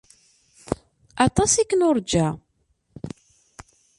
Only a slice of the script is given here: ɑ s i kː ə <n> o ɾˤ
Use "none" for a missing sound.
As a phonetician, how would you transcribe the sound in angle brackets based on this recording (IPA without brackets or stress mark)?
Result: n